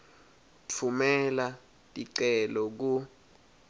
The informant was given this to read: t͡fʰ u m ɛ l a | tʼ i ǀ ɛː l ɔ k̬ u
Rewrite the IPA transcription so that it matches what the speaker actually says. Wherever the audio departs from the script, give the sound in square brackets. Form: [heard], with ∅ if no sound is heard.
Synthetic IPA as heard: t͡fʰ u m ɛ l a | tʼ i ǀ [ɛ] l ɔ k̬ u